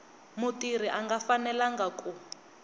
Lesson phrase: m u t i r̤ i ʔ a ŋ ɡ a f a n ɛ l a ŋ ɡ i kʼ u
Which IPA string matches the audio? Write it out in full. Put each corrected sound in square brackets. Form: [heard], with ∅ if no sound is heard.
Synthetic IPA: m u t i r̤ i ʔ a ŋ ɡ a f a n ɛ l a ŋ ɡ [a] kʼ u

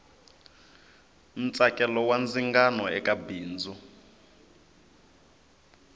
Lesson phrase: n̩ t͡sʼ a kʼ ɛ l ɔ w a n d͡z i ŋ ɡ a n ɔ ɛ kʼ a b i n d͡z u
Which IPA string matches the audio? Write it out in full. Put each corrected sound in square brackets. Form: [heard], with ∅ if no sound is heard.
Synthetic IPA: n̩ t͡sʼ a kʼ ɛ l ɔ w a n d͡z i ŋ ɡ a n ɔ ɛ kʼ a b [iː] n d͡z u

